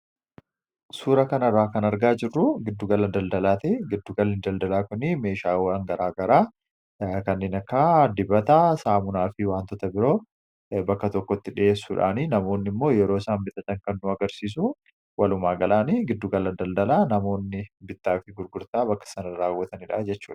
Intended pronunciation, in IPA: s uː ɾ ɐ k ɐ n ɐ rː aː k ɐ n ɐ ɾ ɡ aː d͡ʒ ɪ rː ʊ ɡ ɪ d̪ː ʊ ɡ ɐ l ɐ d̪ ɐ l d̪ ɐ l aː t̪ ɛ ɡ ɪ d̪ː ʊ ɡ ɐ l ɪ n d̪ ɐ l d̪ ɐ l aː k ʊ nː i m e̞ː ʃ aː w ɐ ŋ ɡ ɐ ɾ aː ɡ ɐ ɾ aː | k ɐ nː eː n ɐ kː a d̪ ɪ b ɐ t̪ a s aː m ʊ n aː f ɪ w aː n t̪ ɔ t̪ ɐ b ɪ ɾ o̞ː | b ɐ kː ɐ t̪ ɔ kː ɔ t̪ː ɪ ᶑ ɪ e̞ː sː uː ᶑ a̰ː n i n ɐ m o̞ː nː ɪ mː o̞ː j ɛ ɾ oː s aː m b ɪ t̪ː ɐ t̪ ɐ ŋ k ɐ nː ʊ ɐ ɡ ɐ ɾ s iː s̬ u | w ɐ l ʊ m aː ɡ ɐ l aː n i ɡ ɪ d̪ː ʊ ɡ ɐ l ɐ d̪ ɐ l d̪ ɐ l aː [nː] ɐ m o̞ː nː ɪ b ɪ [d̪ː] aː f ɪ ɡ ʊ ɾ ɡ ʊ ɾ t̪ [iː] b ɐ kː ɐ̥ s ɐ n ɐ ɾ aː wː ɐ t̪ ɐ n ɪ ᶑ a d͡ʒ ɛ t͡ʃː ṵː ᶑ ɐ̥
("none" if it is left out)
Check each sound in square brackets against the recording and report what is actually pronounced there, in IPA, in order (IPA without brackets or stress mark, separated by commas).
n, t̪ː, aː